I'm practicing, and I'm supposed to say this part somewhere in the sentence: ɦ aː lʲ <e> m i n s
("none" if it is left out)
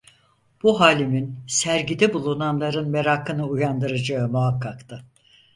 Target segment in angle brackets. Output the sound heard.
i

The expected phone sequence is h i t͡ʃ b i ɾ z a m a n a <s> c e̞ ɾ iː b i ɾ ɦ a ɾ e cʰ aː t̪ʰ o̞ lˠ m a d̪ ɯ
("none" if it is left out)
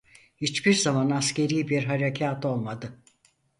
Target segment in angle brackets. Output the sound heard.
s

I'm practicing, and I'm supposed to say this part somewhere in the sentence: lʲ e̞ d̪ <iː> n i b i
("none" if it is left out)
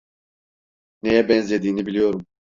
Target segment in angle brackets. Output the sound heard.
iː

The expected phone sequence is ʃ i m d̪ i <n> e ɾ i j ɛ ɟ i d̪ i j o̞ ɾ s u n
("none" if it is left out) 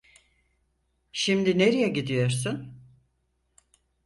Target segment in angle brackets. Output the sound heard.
n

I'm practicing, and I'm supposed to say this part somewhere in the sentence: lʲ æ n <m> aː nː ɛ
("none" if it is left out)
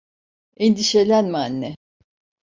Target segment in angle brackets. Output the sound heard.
m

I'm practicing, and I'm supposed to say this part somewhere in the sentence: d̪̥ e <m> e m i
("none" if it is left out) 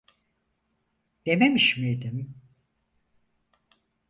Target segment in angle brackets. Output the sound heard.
m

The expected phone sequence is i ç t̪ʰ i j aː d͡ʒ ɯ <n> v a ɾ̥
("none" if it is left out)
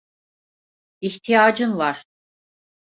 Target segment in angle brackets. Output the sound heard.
n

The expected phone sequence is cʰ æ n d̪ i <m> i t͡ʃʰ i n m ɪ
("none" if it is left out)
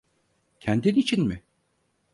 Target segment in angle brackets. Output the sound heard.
n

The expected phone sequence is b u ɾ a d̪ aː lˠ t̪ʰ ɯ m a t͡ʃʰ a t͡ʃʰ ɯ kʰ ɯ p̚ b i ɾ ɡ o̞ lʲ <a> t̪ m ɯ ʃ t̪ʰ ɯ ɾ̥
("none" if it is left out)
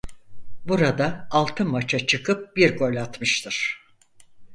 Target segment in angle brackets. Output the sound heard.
a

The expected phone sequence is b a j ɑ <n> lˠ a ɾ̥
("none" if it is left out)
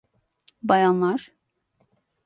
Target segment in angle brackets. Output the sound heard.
n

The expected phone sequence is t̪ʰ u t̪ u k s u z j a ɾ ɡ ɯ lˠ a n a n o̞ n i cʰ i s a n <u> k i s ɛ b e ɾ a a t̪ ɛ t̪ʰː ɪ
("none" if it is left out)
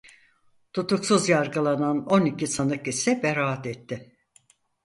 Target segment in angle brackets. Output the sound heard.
ɯ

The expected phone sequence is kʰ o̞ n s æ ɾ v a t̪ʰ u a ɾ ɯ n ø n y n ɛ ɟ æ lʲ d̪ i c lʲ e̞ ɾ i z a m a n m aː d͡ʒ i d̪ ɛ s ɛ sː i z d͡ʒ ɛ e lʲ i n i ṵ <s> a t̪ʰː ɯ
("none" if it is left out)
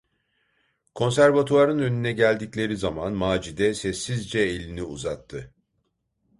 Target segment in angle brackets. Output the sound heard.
z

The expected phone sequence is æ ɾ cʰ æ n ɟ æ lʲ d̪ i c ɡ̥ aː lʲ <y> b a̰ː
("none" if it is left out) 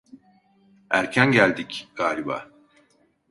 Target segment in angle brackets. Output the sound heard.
i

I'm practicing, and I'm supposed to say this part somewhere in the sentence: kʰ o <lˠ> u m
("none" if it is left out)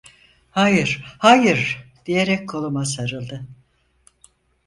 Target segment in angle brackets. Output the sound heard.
lˠ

